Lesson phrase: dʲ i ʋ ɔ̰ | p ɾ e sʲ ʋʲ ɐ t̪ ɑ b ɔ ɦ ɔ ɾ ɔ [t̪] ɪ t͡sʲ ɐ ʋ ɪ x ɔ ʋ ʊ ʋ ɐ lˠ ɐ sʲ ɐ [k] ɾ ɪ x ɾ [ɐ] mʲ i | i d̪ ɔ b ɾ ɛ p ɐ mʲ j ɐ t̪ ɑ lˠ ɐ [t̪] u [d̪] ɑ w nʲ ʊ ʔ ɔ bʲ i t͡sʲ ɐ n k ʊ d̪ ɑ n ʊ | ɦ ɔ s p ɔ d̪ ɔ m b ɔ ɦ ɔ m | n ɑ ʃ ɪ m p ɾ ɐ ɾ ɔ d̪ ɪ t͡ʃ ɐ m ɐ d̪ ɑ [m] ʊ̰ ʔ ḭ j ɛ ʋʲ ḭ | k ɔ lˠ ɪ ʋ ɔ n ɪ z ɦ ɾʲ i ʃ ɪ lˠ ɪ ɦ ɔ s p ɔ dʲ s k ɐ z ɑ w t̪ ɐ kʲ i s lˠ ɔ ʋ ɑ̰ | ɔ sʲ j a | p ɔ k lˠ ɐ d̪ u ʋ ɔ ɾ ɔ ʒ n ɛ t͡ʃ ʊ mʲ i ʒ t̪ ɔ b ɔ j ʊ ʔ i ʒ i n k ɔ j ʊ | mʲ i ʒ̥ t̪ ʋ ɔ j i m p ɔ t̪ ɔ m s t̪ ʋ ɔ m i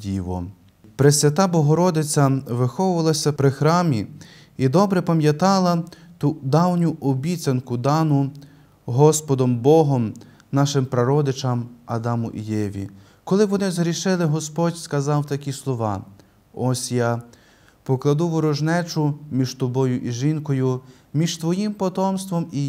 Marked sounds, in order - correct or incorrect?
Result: incorrect: d̪, incorrect: p, incorrect: ɑ, correct, correct, correct

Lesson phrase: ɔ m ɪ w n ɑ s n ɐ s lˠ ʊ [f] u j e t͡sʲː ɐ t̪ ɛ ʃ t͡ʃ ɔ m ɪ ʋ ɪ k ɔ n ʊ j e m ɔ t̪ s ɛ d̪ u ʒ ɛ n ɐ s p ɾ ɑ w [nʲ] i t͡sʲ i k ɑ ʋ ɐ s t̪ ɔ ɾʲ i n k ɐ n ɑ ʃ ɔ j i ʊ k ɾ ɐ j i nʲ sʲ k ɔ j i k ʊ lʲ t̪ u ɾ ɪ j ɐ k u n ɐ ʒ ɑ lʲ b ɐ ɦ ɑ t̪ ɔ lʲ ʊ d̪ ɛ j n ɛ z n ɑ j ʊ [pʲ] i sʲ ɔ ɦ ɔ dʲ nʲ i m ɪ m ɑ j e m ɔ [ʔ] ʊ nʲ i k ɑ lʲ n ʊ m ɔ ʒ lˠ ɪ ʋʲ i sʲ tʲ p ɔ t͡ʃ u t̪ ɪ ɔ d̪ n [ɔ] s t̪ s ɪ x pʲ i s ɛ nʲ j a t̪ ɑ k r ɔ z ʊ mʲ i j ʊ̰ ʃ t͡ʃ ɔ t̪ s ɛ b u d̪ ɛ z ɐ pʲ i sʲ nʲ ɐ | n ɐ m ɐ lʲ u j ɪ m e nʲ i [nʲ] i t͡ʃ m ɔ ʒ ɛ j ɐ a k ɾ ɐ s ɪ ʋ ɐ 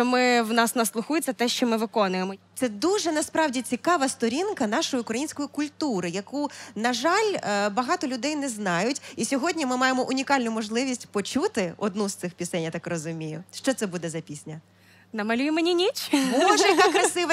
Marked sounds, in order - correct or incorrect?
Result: incorrect: x, incorrect: dʲ, incorrect: tʲ, correct, incorrect: u, correct

